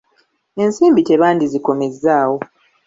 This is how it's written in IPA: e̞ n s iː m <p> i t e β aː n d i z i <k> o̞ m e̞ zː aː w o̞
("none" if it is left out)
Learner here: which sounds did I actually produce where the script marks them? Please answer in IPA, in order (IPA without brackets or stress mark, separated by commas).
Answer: b, k